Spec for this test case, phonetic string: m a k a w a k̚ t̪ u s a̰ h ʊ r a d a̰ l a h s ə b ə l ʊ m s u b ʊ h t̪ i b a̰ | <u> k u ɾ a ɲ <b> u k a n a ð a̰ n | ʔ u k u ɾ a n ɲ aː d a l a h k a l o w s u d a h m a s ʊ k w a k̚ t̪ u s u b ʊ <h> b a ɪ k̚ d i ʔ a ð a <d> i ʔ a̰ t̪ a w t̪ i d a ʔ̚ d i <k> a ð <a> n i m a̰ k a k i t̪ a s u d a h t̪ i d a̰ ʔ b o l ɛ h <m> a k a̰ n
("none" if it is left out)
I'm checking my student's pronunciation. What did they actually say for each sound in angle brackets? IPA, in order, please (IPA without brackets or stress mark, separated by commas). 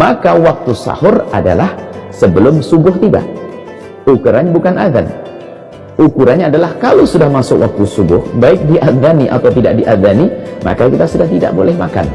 u, b, h, n, ʔ, a, m